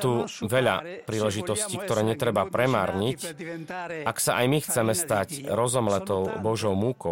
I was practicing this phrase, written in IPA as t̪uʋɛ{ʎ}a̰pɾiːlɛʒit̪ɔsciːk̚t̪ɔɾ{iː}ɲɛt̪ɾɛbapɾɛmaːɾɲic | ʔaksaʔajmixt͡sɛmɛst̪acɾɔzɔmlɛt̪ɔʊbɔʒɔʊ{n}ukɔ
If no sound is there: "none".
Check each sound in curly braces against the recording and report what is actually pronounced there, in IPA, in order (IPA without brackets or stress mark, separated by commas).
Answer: ʎ, ɛː, m